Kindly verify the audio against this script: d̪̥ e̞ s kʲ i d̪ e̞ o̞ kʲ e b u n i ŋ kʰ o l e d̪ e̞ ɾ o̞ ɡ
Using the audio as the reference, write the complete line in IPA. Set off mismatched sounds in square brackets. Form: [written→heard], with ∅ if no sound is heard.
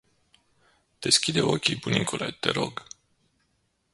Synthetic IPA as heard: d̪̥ e̞ s kʲ i d̪ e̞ o̞ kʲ [e→i] b u n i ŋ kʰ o l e [d̪→t̪] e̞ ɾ o̞ ɡ